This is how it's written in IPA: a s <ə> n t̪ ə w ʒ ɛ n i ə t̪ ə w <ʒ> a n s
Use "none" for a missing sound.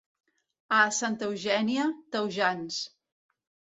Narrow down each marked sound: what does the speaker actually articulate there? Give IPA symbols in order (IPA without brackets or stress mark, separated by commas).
a, ʒ